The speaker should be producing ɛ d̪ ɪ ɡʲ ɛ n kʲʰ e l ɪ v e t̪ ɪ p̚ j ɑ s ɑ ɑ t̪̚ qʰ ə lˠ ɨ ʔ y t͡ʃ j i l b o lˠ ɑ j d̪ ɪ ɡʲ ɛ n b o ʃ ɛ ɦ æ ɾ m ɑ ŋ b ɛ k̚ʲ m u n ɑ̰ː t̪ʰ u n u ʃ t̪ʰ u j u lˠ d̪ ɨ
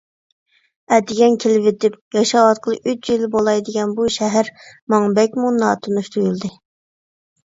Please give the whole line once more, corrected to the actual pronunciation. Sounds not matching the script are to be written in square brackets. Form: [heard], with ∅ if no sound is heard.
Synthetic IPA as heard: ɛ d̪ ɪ ɡʲ ɛ n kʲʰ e l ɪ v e t̪ ɪ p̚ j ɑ [ʃ] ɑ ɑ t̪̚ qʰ ə lˠ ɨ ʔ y t͡ʃ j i l b o lˠ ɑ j d̪ ɪ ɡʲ ɛ n b [u] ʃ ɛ ɦ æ ɾ m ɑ ŋ b ɛ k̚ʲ m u n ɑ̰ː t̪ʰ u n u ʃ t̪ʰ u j u lˠ d̪ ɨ